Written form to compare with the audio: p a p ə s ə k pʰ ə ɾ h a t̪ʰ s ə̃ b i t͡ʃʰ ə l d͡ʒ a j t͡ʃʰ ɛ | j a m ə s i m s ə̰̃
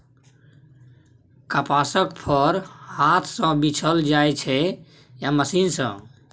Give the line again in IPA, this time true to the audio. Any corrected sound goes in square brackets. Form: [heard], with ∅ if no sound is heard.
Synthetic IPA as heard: [k] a p [a] s ə k pʰ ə ɾ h a t̪ʰ s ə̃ b i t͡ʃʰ ə l d͡ʒ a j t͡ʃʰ ɛ | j a m ə s i [n] s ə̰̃